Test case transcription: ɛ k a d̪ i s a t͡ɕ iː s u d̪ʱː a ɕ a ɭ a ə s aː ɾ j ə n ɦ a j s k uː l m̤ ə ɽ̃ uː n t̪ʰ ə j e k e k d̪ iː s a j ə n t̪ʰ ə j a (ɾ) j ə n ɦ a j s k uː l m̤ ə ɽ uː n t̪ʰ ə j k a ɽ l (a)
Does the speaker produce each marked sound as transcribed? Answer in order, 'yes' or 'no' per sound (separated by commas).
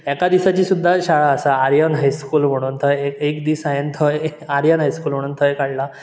yes, yes